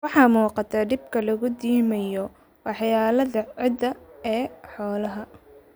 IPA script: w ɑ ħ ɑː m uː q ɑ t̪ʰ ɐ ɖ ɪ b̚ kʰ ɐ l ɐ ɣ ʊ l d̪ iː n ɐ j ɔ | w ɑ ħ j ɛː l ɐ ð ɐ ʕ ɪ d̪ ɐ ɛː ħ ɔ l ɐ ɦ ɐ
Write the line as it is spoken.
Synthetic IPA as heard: w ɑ ħ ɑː m uː q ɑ t̪ʰ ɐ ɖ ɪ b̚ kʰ ɐ l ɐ ɣ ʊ d̪ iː m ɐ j ɔ | w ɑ ħ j aː l ɐ ð ɐ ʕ ɪ d̪ ɐ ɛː ħ ɔː l ɐ ɦ ɐ